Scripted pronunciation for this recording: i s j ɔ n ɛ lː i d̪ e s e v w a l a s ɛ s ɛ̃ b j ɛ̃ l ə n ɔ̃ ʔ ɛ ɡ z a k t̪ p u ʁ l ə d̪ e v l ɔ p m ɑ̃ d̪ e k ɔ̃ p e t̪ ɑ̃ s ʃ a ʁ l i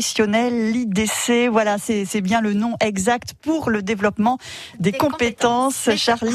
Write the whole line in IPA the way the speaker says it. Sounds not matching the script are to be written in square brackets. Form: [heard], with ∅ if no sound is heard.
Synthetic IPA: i s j ɔ n ɛ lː i d̪ e s e v w a l a s ɛ s [ɛ] b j ɛ̃ l ə n ɔ̃ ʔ ɛ ɡ z a k t̪ p u ʁ l ə d̪ e v l ɔ p m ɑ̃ d̪ e k ɔ̃ p e t̪ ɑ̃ s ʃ a ʁ l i